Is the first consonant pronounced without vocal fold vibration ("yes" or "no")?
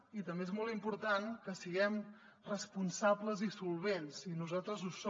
yes